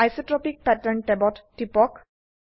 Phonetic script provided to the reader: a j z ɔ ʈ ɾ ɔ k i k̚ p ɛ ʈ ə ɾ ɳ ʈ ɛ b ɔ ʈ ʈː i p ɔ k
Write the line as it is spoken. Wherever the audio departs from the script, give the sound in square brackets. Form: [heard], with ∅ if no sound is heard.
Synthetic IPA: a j [s] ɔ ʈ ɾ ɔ [p] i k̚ p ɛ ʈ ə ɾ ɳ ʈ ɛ b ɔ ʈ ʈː i p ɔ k